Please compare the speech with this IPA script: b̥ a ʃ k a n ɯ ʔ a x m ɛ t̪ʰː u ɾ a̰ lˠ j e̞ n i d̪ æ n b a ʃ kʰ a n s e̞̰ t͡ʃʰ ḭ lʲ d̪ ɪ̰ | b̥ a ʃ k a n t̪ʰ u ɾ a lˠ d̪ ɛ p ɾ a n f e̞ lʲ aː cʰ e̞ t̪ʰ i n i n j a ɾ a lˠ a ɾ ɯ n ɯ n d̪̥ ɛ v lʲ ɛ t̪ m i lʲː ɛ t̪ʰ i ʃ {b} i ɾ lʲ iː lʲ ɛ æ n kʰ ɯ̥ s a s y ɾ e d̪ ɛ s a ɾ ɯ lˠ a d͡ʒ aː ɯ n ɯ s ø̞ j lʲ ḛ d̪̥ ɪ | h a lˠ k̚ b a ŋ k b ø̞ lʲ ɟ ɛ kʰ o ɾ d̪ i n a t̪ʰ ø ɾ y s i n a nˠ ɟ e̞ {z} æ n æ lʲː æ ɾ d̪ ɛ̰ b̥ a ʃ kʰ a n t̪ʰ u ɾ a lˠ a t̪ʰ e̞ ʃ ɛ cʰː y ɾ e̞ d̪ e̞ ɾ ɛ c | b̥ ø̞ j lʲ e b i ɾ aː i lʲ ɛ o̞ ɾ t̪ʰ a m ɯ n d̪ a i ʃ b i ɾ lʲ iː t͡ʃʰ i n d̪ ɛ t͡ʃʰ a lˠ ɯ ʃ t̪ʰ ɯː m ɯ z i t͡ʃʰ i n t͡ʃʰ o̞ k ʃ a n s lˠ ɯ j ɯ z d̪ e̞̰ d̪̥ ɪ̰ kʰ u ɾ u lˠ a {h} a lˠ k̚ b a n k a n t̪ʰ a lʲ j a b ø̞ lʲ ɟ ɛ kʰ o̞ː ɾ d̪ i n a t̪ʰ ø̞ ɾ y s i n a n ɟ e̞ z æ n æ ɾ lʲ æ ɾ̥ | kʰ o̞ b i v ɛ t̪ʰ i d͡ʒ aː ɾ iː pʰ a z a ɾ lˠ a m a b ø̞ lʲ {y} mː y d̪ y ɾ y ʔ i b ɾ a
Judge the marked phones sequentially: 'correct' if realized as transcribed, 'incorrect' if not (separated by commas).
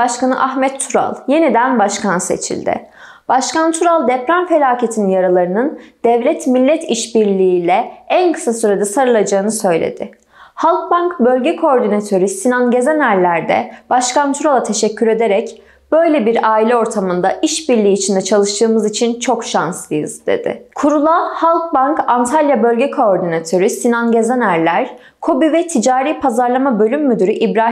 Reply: correct, correct, correct, correct